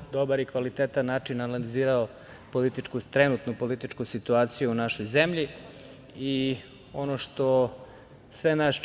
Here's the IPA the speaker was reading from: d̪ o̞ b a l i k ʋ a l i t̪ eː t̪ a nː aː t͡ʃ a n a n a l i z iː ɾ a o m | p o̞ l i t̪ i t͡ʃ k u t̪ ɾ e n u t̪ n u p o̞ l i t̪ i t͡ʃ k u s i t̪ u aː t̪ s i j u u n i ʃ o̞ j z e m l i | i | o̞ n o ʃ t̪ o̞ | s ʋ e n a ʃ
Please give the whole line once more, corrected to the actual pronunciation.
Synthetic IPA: d̪ o̞ b a ɾ i k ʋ a l i t̪ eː t̪ a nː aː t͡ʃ i n a n a l i z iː ɾ a o | p o̞ l i t̪ i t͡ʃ k u t̪ ɾ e n u t̪ n u p o̞ l i t̪ i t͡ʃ k u s i t̪ u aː t̪ s i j u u n a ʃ o̞ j z e m ʎ i | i | o̞ n o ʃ t̪ o̞ | s ʋ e n a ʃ